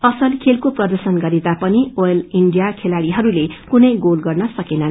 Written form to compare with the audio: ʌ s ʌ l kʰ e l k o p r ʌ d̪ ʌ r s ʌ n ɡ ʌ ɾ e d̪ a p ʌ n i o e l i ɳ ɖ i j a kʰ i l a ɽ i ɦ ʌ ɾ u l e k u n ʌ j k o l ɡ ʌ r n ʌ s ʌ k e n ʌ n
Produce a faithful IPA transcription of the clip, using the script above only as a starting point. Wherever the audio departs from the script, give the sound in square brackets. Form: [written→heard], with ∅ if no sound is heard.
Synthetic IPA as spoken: ʌ s ʌ l kʰ e l k o p r ʌ d̪ ʌ r s ʌ n ɡ ʌ ɾ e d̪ a p ʌ n i o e l i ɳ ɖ i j a kʰ [i→e] l a ɽ i ɦ ʌ ɾ u l e k u n ʌ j [k→ɡ] o l ɡ ʌ r n ʌ s ʌ k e n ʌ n